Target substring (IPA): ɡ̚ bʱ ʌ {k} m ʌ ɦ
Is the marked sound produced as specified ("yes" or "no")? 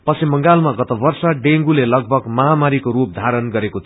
no